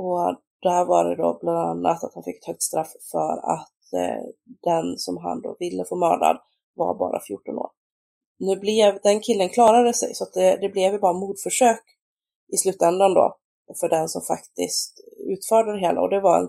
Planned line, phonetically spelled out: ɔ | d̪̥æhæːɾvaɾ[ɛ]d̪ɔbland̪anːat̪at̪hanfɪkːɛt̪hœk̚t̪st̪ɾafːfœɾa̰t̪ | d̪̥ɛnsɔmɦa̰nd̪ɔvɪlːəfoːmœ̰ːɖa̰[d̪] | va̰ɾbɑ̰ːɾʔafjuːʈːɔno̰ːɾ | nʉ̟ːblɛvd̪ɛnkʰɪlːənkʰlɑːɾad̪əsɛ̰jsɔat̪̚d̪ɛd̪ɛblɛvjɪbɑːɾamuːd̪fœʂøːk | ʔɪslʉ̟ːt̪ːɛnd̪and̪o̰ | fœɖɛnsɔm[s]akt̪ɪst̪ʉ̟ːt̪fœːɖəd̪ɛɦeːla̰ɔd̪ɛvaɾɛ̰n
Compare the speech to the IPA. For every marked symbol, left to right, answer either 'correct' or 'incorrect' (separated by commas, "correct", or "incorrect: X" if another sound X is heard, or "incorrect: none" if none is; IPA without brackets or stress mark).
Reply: correct, correct, incorrect: f